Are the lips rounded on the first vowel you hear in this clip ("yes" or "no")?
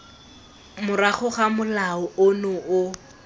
yes